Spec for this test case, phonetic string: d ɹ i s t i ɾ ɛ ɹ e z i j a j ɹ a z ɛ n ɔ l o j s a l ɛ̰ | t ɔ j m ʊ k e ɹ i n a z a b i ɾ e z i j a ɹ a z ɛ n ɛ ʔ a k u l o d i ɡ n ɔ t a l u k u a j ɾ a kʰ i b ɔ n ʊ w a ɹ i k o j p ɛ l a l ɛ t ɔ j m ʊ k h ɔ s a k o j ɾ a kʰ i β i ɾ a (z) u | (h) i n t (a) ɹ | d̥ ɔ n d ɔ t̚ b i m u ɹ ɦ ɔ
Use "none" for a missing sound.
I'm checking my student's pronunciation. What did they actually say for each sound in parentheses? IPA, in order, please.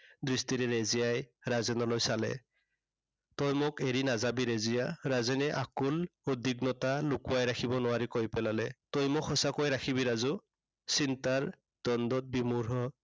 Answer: z, s, a

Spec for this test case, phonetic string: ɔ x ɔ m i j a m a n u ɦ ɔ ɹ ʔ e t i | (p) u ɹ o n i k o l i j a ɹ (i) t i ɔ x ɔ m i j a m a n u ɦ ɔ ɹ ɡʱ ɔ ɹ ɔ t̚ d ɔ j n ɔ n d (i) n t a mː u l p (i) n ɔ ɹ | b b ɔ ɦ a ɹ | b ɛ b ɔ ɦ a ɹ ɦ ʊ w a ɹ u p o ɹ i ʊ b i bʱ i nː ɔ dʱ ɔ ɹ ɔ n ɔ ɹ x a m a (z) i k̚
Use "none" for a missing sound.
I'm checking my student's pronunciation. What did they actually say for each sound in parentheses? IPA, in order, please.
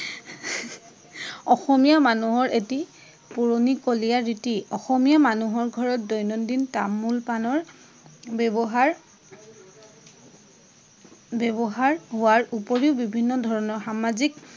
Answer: p, i, i, a, z

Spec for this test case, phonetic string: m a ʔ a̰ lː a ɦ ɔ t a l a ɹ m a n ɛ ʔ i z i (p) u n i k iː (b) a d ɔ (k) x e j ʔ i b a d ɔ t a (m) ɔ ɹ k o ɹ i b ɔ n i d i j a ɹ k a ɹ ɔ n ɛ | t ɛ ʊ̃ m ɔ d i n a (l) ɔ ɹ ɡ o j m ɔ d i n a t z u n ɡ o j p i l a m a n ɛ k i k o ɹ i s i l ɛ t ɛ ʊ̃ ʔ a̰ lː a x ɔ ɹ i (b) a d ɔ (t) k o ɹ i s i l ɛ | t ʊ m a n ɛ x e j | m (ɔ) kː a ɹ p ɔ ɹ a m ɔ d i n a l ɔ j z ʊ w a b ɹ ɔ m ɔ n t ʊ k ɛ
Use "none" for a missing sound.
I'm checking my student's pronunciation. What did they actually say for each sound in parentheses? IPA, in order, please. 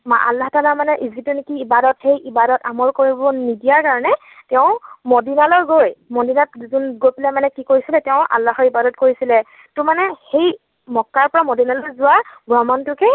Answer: t, b, t, m, l, b, t, ɔ

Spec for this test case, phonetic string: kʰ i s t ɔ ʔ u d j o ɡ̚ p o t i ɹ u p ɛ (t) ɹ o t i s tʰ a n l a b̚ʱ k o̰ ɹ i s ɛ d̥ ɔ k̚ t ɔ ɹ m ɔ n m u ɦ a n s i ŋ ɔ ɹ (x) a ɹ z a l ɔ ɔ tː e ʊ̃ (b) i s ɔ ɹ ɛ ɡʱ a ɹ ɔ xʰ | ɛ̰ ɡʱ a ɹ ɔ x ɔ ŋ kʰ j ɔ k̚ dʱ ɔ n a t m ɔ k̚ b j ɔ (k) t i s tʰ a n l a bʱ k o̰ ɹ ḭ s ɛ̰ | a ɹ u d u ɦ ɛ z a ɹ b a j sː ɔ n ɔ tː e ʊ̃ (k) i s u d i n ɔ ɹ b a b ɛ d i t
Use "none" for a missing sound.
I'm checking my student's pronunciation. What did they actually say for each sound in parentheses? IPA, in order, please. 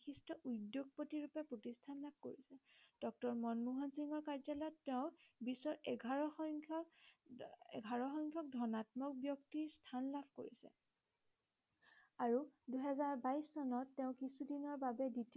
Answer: p, k, b, k, k

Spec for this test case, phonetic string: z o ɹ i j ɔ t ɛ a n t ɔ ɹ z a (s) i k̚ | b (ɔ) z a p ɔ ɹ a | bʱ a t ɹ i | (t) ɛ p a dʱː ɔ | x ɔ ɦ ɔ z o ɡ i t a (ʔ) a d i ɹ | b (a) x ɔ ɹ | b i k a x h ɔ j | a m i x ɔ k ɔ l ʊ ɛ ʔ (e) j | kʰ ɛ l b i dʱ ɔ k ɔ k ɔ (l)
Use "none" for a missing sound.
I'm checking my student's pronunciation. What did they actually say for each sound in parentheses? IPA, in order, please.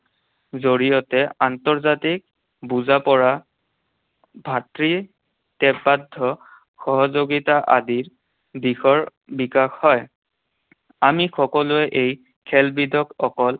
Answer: t, u, t, ʔ, i, e, l

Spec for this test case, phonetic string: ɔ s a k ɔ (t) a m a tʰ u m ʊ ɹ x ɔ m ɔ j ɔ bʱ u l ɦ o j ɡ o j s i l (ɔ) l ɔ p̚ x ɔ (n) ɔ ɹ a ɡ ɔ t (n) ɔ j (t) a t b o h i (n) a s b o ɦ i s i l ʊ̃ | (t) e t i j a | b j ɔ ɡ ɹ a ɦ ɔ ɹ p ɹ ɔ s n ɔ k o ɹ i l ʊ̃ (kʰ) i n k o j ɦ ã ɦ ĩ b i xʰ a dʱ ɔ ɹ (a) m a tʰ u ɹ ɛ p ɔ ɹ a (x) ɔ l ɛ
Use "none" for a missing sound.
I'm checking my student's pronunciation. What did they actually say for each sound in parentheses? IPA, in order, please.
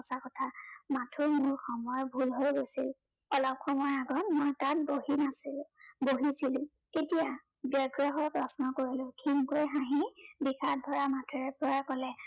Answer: tʰ, ɔ, m, m, t, n, k, kʰ, a, k

